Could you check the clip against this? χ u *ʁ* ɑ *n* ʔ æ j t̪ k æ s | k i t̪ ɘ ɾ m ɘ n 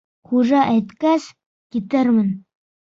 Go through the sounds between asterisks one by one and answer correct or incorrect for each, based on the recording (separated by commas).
incorrect, incorrect